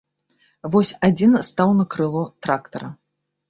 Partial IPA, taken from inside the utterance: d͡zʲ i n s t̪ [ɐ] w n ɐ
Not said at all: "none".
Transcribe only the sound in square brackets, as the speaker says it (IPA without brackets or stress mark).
a